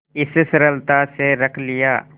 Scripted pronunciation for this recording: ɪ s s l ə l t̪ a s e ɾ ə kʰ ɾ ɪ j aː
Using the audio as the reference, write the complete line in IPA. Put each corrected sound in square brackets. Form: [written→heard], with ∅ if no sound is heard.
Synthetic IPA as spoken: ɪ s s [l→ɾ] ə l t̪ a s e ɾ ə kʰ [ɾ→l] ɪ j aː

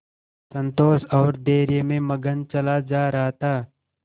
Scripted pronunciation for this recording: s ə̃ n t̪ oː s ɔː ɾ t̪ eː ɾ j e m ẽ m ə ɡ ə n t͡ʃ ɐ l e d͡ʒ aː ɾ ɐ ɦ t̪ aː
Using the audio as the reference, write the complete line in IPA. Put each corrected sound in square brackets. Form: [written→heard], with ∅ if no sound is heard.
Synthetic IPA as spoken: s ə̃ n t̪ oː s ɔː ɾ [t̪→d̪] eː ɾ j e m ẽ m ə ɡ ə n t͡ʃ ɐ l [e→a] d͡ʒ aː ɾ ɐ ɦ t̪ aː

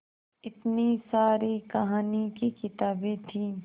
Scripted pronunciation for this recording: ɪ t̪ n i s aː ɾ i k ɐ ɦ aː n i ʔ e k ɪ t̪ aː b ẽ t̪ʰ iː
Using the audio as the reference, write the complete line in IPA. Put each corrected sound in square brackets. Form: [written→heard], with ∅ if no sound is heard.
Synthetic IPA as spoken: ɪ t̪ n i s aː ɾ i k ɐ ɦ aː n i [ʔ→k] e k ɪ t̪ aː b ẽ t̪ʰ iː

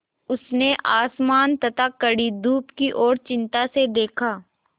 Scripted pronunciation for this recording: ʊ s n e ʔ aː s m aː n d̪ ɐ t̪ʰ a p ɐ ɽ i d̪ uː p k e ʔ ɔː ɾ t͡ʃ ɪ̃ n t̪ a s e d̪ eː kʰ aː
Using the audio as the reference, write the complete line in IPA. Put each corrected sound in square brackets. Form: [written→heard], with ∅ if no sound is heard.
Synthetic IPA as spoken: ʊ s n e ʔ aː s m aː n [d̪→t̪] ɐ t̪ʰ a [p→k] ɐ ɽ i d̪ uː p k [e→i] ʔ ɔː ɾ t͡ʃ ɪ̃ n t̪ a s e d̪ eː kʰ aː

